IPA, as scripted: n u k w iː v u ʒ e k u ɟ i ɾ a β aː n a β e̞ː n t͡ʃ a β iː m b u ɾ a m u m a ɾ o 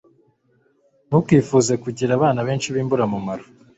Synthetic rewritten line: n u k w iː f u z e k u ɟ i ɾ a β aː n a β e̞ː n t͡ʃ i β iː m b u ɾ a m u m a ɾ o